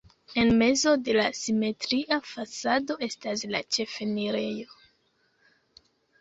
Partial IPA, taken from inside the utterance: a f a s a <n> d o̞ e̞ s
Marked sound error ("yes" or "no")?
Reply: yes